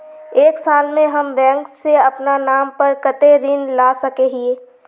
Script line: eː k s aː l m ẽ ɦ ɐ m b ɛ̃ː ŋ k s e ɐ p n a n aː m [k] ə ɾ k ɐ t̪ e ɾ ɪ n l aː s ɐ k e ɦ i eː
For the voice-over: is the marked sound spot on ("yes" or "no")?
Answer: no